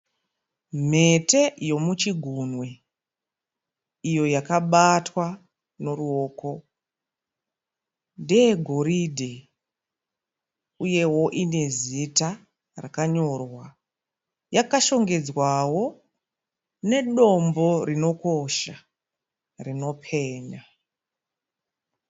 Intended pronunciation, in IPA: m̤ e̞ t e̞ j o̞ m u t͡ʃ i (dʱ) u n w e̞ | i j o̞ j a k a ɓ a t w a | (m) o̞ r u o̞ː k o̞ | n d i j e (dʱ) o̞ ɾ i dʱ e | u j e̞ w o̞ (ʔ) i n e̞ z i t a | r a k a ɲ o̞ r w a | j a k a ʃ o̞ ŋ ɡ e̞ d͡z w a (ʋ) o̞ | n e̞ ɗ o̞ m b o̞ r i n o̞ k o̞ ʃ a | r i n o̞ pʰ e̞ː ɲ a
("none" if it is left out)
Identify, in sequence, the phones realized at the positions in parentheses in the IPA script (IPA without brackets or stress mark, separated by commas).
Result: ɡʱ, n, ɡʱ, ʔ, w